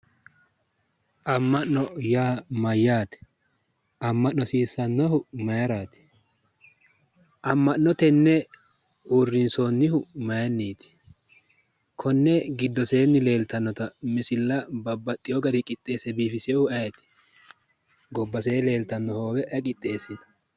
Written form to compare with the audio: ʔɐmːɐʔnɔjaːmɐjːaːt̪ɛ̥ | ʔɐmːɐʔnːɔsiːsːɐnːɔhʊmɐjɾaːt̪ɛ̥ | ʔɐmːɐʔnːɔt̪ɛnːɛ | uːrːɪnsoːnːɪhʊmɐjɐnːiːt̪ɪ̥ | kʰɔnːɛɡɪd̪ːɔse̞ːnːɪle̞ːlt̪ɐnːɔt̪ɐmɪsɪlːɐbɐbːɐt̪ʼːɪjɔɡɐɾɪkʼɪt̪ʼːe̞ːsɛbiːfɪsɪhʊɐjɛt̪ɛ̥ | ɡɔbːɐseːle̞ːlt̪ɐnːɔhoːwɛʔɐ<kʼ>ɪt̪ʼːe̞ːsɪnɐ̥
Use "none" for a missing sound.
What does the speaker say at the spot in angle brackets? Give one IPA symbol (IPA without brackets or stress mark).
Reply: kʼ